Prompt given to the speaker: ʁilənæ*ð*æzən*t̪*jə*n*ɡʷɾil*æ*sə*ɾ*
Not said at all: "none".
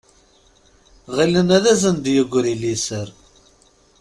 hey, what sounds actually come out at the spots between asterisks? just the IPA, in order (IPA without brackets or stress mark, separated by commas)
ð, d̪, none, i, ɾ